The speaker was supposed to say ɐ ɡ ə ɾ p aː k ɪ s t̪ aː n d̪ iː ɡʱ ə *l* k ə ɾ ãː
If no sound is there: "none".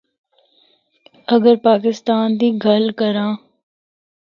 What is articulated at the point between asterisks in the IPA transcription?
l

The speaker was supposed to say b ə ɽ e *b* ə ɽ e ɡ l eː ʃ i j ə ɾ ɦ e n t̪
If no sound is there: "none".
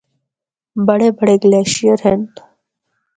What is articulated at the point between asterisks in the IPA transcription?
b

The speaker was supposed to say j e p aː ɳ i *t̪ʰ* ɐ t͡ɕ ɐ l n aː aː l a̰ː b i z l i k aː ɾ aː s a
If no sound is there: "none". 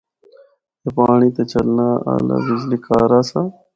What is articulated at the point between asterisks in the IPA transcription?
t̪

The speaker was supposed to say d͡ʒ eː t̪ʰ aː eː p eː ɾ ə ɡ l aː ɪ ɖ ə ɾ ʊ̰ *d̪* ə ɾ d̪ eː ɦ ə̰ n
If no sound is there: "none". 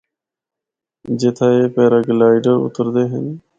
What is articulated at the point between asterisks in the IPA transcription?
t̪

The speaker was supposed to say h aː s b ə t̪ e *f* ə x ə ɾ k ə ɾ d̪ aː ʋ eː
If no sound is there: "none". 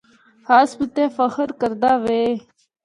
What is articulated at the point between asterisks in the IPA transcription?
f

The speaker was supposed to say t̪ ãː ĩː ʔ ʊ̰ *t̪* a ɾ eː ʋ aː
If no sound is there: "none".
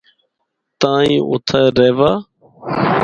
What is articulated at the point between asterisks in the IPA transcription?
t̪ʰ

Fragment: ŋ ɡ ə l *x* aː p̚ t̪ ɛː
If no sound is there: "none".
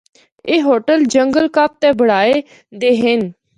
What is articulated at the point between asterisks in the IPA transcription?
k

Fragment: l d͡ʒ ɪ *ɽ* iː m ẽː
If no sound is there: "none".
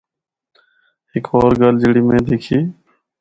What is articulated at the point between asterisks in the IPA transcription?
ɽ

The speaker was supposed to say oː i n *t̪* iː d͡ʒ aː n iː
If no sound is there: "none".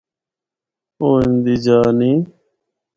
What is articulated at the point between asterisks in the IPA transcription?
d̪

